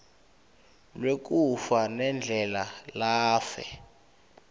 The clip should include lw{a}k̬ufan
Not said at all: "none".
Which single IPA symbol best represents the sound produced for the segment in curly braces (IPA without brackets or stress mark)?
e